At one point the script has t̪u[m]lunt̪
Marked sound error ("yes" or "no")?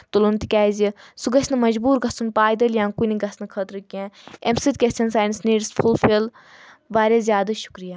yes